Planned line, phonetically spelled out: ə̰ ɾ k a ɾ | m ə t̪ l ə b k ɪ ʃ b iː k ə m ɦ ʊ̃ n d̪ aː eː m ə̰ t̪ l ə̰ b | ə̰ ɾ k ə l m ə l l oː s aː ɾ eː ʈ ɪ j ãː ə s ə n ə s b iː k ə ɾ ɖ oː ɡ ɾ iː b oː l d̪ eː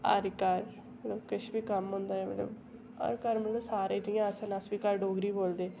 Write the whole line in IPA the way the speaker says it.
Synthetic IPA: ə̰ ɾ k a ɾ | m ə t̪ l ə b k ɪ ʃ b iː k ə m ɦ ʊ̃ n d̪ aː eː m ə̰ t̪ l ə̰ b | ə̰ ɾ k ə ɾ m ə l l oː s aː ɾ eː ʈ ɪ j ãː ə s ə n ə s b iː k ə ɾ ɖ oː ɡ ɾ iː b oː l d̪ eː

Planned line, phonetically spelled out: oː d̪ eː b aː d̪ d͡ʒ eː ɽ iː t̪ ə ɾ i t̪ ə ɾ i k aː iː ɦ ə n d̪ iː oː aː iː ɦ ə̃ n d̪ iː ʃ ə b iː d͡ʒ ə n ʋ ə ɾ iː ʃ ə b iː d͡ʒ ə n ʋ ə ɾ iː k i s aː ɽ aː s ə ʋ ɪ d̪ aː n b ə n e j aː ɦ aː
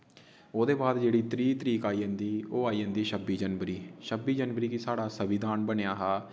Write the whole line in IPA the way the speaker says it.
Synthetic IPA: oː d̪ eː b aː d̪ d͡ʒ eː ɽ iː t̪ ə ɾ iː t̪ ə ɾ iː k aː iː ɦ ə n d̪ iː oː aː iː ɦ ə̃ n d̪ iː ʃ ə b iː d͡ʒ ə n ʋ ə ɾ iː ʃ ə b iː d͡ʒ ə n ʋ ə ɾ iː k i s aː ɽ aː s ə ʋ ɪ d̪ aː n b ə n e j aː ɦ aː

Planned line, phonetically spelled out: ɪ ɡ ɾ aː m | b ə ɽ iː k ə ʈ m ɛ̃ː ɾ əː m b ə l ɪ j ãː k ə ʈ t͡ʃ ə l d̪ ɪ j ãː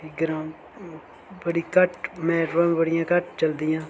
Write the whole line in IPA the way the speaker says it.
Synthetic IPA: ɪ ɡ ɾ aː m | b ə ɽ iː k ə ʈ m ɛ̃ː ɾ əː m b ə ɽ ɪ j ãː k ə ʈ t͡ʃ ə l d̪ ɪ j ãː

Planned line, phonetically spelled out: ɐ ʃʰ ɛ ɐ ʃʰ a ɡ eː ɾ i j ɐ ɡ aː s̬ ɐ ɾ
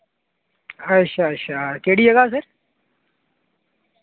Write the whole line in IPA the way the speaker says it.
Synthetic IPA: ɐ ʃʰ a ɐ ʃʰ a k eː ɽ i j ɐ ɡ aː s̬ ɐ ɾ

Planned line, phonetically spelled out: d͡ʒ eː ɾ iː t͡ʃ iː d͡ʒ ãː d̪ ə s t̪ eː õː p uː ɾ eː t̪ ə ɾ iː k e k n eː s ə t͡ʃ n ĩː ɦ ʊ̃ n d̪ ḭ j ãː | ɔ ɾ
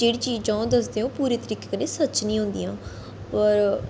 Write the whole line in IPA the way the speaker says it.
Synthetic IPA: d͡ʒ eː ɽ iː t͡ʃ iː d͡ʒ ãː d̪ ə s d̪ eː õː p uː ɾ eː t̪ ə ɾ iː k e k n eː s ə t͡ʃ n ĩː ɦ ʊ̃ n d̪ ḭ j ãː | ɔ ɾ

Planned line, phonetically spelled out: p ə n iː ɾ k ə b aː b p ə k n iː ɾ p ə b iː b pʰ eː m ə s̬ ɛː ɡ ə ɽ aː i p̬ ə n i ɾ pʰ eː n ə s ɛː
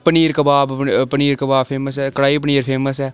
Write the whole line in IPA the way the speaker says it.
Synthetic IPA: p ə n iː ɾ k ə b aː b p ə n iː ɾ k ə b aː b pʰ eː m ə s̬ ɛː k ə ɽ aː i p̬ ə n iː ɾ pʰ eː m ə s ɛː

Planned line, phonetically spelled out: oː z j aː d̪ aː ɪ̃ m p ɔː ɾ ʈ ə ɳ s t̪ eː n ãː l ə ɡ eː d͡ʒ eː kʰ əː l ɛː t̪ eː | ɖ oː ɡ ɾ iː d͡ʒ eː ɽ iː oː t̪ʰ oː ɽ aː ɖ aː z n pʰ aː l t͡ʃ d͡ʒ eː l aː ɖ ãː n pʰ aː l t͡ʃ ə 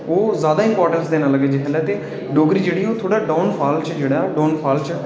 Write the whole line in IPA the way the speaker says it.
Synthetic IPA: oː z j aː d̪ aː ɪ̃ m p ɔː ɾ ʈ ə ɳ s d̪ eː n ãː l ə ɡ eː d͡ʒ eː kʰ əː l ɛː t̪ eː | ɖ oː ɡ ɾ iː d͡ʒ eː ɽ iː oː t̪ʰ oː ɽ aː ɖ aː n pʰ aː l t͡ʃ d͡ʒ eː ɽ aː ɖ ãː n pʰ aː l t͡ʃ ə

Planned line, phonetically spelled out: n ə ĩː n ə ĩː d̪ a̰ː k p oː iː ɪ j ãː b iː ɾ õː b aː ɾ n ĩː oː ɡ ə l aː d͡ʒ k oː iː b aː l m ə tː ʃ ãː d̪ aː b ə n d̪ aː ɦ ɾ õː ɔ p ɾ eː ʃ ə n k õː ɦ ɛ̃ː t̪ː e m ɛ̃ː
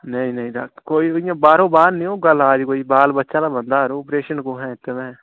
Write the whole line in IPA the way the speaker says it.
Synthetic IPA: n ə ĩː n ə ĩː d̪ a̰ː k k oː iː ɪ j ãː b aː ɾ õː b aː ɾ n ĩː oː ɡ ə l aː d͡ʒ k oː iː b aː l b ə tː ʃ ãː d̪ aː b ə n d̪ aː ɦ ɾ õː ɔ p ɾ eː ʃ ə n k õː ɦ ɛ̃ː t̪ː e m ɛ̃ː

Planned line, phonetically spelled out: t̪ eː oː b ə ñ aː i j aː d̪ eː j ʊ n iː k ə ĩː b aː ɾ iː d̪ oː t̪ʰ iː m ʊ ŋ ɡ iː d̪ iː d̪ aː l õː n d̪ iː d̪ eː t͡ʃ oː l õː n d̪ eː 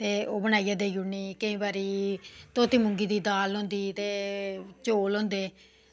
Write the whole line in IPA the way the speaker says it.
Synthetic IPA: t̪ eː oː b ə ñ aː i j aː d̪ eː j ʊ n iː k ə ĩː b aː ɾ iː t̪ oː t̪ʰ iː m ʊ ŋ ɡ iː d̪ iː d̪ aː l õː n d̪ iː t̪ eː t͡ʃ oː l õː n d̪ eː

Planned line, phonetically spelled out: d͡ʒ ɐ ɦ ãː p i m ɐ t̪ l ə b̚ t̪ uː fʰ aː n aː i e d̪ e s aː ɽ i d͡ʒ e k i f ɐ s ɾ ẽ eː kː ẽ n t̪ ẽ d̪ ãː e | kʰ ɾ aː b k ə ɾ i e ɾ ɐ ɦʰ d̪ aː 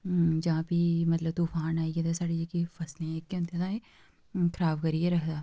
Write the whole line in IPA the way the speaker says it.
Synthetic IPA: d͡ʒ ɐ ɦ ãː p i m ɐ t̪ l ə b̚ t̪ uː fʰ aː n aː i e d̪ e s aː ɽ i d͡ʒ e k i f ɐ s l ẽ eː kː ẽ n t̪ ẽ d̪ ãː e | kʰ ɾ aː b k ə ɾ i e ɾ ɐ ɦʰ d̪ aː

